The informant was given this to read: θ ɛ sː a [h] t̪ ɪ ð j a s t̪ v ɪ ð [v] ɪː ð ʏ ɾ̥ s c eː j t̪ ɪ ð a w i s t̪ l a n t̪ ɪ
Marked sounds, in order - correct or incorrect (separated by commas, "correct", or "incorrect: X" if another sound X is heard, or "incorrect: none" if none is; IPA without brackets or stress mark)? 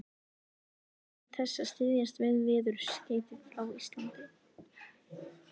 incorrect: s, correct